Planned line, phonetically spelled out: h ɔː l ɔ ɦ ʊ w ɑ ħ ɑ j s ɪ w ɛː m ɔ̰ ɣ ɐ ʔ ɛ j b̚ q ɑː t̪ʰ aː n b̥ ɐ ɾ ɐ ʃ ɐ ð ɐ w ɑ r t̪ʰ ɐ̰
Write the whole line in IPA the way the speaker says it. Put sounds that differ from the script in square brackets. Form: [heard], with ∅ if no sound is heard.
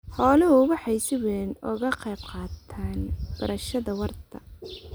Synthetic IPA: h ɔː l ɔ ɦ ʊ w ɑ ħ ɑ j s ɪ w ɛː [n] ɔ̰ ɣ ɐ [q] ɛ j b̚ q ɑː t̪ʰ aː n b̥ ɐ ɾ ɐ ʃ ɐ ð ɐ w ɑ r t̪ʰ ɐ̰